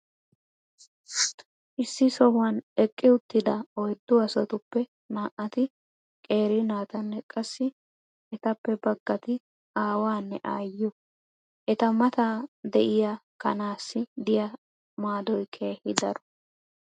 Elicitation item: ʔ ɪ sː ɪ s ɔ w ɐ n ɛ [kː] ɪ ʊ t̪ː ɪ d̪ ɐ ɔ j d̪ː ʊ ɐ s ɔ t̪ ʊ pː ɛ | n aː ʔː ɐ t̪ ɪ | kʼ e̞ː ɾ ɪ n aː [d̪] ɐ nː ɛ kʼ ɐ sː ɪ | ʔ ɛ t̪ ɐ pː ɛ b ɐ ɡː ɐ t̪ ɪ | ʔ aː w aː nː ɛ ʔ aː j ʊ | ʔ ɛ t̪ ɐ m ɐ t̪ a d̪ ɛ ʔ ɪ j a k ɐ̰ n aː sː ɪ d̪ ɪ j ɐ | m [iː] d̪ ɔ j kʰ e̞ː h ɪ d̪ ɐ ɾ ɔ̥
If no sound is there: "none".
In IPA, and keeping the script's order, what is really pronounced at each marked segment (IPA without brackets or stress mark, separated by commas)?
kʼː, t̪, aː